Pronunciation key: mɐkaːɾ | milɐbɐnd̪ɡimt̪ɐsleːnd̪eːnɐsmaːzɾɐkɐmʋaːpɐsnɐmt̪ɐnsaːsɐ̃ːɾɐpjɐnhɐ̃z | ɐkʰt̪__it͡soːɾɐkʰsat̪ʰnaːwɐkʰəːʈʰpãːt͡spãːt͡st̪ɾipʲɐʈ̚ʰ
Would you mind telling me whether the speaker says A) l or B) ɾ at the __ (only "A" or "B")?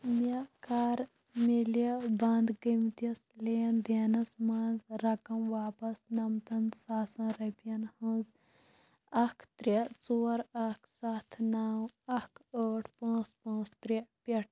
B